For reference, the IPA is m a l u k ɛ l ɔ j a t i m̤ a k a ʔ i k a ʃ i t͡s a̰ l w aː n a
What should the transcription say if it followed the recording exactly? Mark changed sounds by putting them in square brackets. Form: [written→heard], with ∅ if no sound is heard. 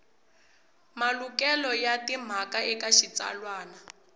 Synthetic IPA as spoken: m a l u k ɛ l ɔ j a t i m̤ a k a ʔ [i→ɛ] k a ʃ i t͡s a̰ l w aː n a